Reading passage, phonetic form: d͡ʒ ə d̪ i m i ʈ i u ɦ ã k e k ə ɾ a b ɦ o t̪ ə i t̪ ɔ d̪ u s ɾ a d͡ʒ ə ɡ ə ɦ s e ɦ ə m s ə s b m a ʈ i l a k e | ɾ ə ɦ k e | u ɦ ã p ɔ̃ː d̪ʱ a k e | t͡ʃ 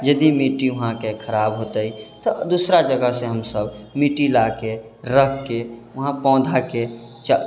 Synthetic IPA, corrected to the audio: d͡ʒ ə d̪ i m i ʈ i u ɦ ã k e kʰ ə ɾ a b ɦ o t̪ ə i t̪ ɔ d̪ u s ɾ a d͡ʒ ə ɡ ə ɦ s e ɦ ə m s ə b m i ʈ i l a k e | ɾ ə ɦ k e | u ɦ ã p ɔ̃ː d̪ʱ a k e | t͡ʃ